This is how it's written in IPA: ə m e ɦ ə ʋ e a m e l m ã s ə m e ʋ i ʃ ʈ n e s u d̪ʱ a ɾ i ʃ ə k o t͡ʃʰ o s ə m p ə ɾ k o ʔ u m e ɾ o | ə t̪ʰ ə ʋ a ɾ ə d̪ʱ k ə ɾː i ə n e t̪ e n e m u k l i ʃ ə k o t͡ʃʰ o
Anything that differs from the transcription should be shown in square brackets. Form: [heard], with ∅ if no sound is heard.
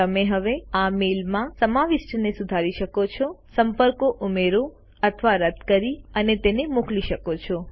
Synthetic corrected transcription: ə m e ɦ ə ʋ e a m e l m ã s ə m [a] ʋ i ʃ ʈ n e s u d̪ʱ a ɾ i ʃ ə k o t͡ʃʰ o s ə m p ə ɾ k o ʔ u m e ɾ o | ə t̪ʰ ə ʋ a ɾ ə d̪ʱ k ə [ɾ] i ə n e t̪ e n e m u k l i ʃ ə k o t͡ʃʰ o